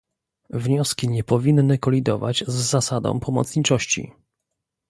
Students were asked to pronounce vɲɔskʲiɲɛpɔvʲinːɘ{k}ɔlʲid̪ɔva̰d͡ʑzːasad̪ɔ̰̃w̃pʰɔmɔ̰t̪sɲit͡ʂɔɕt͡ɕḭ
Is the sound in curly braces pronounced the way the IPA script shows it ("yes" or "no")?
yes